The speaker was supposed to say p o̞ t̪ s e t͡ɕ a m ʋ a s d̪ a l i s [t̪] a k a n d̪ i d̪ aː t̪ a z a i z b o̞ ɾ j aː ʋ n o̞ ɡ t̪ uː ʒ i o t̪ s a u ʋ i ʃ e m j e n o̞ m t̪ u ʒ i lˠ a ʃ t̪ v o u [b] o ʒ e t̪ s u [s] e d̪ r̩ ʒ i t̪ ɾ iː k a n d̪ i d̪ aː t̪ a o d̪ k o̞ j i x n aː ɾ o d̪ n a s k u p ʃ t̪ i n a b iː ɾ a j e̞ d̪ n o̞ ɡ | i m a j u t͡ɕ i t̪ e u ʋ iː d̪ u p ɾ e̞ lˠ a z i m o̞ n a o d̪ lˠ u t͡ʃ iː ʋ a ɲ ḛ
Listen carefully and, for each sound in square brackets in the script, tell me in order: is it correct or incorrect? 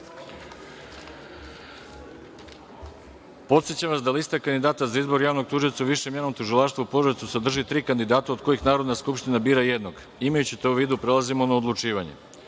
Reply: correct, incorrect: p, correct

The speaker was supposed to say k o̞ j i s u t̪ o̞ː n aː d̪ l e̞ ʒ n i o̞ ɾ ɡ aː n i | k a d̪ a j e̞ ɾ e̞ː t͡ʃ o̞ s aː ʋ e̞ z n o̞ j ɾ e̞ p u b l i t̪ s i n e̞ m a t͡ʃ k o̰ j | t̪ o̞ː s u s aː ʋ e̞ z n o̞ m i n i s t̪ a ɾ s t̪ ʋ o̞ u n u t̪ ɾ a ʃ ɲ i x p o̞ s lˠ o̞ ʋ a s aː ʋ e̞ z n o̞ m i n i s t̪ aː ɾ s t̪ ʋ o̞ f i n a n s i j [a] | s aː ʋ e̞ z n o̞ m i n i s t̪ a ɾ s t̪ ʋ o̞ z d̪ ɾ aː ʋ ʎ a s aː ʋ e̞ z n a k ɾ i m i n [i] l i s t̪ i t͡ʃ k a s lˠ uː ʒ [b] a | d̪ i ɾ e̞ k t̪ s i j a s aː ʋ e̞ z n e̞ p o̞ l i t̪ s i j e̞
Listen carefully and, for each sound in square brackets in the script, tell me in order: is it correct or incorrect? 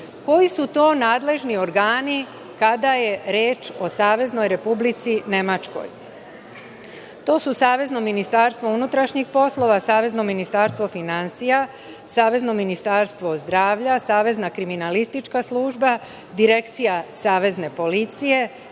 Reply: correct, incorrect: a, correct

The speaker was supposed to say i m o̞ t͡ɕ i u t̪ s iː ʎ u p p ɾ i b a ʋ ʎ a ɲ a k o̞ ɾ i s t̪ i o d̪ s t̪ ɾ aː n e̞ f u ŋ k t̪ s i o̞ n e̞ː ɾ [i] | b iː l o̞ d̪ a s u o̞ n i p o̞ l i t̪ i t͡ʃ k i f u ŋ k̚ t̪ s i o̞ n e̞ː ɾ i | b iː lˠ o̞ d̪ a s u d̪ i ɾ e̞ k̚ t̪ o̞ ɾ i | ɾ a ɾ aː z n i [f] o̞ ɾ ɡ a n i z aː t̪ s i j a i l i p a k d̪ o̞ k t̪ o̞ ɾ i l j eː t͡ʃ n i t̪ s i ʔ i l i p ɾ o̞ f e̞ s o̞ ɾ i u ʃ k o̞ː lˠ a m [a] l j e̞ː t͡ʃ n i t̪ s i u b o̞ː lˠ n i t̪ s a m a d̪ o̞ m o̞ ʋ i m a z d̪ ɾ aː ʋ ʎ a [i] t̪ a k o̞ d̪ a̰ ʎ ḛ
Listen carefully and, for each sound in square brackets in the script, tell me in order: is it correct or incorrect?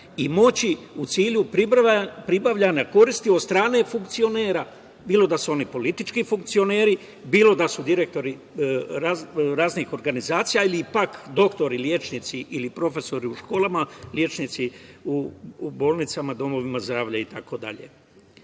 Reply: incorrect: a, incorrect: x, correct, correct

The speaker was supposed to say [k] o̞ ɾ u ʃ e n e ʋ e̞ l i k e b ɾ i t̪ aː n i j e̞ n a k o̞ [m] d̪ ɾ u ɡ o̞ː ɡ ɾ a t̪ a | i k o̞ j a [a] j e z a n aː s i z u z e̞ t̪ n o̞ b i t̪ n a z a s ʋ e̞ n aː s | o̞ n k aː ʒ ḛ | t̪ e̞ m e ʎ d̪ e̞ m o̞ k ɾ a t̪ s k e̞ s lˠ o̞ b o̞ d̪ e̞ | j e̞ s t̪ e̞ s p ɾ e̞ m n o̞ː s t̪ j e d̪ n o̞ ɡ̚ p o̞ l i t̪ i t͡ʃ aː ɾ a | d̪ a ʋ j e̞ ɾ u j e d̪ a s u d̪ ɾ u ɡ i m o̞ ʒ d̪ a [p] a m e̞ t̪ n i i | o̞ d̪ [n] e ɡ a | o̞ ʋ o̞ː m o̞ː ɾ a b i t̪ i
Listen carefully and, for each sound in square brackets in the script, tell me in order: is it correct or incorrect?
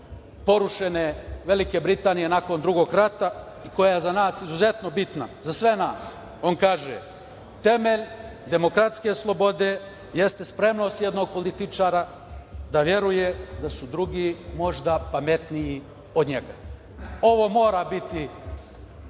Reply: incorrect: p, incorrect: n, correct, correct, incorrect: ɲ

